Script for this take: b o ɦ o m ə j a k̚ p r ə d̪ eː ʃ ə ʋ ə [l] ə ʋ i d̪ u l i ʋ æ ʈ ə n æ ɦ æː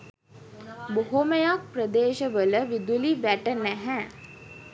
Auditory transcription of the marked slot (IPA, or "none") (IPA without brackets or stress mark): l